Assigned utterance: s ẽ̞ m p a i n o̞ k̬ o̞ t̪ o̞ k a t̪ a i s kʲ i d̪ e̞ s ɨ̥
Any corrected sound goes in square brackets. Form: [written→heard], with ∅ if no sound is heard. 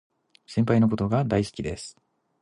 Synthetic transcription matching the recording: s ẽ̞ m p a i n o̞ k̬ o̞ t̪ o̞ [k→ɡ] a [t̪→d̪] a i s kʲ i d̪ e̞ s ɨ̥